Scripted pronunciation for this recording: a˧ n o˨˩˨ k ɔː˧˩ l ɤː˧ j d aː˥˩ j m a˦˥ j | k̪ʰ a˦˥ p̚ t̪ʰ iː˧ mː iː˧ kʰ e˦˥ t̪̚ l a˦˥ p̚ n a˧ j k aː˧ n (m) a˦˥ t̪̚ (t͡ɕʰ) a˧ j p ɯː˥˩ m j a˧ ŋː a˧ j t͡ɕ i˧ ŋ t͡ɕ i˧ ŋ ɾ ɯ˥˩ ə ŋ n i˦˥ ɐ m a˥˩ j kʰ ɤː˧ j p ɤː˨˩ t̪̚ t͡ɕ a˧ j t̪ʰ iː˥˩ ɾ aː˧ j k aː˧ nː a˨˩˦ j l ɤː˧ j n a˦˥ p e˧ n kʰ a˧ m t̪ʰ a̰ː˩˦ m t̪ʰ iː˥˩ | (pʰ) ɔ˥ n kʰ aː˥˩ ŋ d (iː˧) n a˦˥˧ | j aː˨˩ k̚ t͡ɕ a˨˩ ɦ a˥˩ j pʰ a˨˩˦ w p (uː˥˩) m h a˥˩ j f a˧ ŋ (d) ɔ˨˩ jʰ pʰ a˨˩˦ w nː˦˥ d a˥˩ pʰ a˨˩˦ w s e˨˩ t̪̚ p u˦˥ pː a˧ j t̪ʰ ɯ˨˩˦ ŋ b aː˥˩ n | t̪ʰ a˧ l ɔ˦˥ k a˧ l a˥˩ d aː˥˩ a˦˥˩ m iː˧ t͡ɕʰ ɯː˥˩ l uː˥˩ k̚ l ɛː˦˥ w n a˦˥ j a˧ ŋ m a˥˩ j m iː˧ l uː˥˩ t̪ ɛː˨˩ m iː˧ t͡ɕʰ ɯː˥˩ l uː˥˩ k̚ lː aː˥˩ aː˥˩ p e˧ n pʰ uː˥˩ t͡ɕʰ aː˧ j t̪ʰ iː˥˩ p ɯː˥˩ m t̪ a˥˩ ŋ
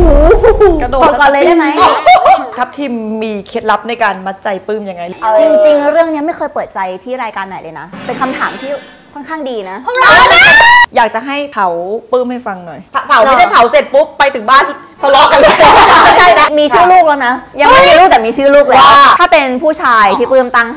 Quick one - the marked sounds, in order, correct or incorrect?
correct, incorrect, incorrect, correct, incorrect, incorrect

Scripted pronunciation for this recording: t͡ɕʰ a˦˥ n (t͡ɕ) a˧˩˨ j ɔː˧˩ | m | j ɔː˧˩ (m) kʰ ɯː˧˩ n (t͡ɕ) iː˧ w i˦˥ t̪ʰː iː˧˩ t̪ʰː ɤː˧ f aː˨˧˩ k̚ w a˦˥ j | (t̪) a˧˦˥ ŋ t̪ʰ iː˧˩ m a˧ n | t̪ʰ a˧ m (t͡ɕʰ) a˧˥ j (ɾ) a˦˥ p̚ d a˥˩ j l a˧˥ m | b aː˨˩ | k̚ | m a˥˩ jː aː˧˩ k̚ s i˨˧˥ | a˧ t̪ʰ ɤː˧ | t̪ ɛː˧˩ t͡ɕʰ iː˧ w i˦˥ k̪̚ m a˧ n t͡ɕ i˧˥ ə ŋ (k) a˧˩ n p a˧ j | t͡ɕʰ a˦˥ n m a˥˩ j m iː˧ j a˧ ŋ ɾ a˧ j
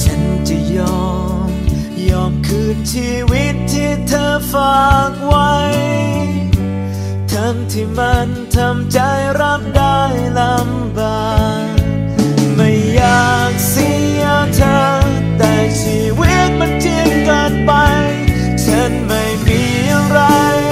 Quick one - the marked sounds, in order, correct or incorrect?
correct, correct, incorrect, incorrect, incorrect, correct, correct

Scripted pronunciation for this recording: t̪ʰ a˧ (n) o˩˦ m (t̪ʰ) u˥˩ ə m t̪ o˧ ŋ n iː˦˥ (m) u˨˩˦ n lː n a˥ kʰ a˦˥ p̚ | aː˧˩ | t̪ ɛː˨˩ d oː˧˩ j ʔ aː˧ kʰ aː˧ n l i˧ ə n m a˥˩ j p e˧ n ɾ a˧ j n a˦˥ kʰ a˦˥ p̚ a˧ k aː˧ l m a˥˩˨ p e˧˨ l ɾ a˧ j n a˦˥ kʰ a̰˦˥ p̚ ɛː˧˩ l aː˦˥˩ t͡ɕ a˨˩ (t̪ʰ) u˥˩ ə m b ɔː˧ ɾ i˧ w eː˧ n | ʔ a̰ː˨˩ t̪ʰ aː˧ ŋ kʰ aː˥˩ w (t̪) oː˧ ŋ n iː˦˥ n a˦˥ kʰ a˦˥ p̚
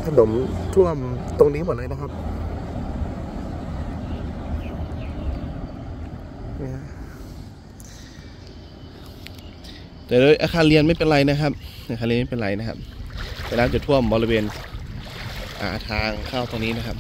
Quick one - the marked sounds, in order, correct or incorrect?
correct, correct, correct, correct, correct

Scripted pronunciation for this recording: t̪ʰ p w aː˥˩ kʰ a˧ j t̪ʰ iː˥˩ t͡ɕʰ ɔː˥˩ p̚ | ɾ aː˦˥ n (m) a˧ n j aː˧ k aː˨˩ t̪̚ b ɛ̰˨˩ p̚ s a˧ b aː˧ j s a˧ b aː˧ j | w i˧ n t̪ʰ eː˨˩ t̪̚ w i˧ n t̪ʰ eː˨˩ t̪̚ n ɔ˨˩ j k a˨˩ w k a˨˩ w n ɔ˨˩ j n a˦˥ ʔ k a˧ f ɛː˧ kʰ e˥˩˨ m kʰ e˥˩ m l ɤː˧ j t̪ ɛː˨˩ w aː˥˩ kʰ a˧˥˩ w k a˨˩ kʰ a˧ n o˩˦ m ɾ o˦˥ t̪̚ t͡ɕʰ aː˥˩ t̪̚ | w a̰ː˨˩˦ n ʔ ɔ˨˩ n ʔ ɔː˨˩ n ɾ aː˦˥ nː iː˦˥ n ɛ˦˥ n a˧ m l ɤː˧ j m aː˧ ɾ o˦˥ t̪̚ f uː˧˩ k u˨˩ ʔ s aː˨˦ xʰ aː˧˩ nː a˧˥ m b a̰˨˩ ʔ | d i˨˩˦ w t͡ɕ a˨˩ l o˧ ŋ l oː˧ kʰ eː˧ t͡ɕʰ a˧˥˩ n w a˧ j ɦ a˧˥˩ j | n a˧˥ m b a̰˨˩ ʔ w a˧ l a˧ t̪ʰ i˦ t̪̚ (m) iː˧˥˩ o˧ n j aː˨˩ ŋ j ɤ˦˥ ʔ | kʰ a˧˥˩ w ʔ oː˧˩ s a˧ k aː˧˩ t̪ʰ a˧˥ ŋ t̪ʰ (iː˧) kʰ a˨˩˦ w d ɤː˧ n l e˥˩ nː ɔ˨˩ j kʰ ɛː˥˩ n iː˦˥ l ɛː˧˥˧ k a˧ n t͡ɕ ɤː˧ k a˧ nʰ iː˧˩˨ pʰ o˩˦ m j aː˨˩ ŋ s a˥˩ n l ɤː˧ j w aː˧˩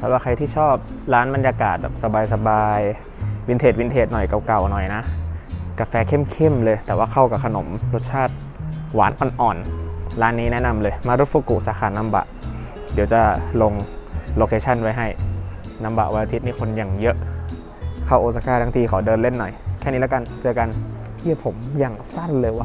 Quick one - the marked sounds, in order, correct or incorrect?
incorrect, incorrect, correct

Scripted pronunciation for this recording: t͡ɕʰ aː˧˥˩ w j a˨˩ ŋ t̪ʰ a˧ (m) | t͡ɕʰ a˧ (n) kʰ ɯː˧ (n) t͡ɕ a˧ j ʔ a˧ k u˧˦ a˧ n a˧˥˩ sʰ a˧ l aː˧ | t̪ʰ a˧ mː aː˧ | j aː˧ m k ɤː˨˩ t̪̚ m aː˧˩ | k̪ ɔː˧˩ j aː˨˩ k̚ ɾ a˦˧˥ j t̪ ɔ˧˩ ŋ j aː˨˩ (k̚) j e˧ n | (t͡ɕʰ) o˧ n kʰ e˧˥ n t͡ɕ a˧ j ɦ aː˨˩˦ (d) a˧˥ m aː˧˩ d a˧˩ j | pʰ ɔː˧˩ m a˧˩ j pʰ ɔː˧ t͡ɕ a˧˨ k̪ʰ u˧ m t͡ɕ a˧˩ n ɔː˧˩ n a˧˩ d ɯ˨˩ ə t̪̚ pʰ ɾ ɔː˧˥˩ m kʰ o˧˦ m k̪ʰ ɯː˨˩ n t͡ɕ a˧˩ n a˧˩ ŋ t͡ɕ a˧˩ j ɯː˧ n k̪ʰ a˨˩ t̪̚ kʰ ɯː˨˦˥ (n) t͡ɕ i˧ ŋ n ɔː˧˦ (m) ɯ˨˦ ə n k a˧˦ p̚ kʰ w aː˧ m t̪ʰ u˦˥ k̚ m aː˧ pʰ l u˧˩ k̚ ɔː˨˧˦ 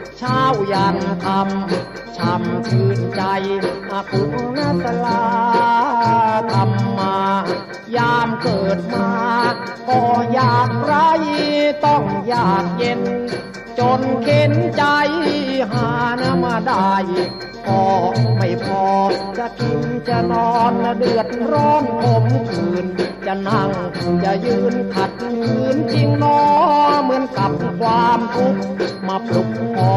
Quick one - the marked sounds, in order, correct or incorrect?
correct, incorrect, correct, correct, incorrect, incorrect, correct, correct

